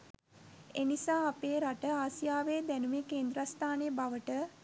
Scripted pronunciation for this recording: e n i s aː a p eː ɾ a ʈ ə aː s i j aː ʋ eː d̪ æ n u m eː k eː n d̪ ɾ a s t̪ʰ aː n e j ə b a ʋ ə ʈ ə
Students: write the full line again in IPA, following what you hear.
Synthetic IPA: e n i s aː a p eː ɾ a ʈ ə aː s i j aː ʋ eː d̪ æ n u m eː k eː n d̪ ɾ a s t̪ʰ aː n e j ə b a ʋ ə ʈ ə